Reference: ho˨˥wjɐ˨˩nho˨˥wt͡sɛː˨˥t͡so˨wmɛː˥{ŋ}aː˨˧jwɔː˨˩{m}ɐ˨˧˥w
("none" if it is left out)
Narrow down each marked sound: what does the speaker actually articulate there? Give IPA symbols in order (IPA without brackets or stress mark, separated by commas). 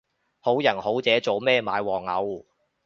m, ŋ